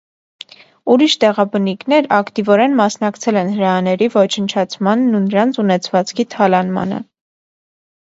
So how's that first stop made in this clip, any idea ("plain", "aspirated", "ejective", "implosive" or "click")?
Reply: plain